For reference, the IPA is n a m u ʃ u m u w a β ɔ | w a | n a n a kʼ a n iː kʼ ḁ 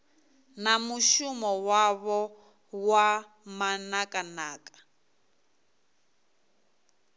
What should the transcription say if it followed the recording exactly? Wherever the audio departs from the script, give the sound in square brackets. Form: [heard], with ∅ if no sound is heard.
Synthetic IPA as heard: n a m u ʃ u m [ɔ] w a β ɔ | w a | [m] a n a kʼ a n [aː] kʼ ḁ